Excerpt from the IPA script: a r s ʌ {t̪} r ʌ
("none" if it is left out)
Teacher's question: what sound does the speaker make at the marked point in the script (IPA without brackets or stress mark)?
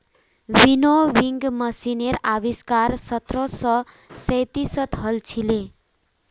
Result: t̪